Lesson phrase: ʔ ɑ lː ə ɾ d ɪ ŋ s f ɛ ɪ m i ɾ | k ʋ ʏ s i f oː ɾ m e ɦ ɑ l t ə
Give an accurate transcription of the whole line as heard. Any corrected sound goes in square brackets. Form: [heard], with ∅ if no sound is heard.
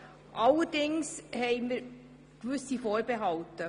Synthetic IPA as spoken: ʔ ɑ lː ə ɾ d ɪ ŋ s [h] ɛ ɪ m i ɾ | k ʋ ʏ s i f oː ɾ [b] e ɦ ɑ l t ə